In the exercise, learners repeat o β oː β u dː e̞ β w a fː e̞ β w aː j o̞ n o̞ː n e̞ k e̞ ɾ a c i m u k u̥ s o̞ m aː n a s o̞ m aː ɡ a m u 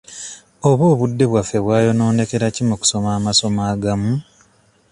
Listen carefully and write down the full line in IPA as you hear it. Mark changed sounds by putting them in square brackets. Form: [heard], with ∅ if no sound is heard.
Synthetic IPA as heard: o β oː β u dː e̞ β w a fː e̞ β w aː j o̞ n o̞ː n e̞ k e̞ ɾ a c i m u k u̥ s o̞ m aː [m] a s o̞ m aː ɡ a m u